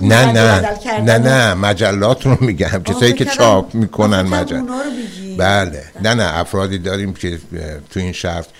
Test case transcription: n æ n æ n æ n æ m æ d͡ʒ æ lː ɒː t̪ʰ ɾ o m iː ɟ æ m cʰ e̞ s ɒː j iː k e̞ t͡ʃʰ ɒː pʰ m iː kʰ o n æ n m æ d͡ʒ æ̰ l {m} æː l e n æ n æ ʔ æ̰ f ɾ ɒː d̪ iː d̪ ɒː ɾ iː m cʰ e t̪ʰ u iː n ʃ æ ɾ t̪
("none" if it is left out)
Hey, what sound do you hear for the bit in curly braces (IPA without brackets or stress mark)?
b